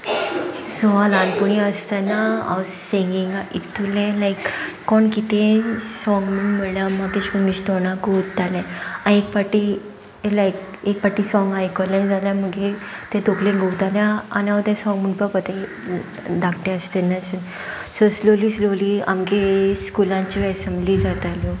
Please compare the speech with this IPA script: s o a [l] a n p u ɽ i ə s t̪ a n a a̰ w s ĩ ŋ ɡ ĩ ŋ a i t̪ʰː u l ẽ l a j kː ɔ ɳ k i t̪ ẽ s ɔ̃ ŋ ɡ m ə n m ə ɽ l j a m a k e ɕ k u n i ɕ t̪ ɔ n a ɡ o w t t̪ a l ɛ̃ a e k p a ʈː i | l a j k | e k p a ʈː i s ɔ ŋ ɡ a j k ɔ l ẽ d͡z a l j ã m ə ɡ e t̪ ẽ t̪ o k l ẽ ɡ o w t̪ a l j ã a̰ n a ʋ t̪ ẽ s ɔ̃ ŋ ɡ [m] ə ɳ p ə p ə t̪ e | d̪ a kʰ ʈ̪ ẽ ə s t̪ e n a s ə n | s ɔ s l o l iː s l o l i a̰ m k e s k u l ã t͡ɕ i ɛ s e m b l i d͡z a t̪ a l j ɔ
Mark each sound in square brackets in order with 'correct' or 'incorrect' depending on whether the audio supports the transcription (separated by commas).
correct, correct